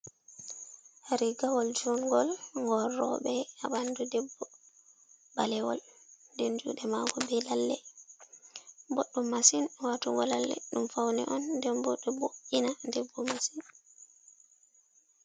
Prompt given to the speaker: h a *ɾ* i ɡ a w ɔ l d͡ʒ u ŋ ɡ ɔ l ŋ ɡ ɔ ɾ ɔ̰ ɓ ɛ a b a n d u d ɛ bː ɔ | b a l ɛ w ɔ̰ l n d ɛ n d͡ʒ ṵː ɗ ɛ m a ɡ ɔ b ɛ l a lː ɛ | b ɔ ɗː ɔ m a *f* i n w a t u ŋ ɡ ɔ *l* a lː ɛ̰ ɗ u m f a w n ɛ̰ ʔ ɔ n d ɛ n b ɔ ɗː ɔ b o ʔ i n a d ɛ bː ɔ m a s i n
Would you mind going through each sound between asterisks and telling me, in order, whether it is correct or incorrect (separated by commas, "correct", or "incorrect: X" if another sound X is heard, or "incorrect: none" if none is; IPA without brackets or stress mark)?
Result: correct, incorrect: s, correct